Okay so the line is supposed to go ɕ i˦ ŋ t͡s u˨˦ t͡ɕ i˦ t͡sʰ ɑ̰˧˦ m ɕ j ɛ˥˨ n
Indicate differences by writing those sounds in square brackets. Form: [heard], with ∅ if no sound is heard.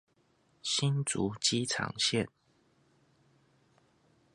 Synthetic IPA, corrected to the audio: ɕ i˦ [n] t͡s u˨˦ t͡ɕ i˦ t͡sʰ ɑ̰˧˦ [ŋ] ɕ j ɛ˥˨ n